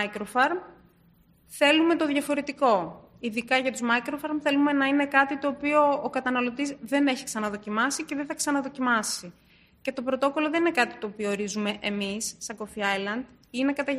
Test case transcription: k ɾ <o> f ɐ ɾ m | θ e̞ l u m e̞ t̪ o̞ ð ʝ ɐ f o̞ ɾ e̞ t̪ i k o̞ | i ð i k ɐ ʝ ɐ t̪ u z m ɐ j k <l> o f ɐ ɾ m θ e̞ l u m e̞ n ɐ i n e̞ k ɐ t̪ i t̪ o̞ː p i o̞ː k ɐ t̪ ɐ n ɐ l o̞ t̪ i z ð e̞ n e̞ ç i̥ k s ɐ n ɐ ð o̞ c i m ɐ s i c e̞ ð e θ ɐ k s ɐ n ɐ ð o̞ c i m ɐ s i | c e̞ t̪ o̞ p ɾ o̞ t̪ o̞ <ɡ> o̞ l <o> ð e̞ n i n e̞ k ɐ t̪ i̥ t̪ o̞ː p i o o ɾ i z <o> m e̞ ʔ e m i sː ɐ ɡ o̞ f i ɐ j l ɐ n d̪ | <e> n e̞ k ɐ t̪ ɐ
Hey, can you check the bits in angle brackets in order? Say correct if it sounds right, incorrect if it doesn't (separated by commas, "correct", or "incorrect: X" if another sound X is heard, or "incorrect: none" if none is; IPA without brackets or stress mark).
correct, incorrect: ɾ, incorrect: k, correct, incorrect: u, incorrect: i